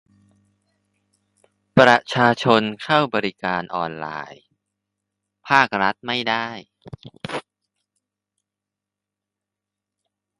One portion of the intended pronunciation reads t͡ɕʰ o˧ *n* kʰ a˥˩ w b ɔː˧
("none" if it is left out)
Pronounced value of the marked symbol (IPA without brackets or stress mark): n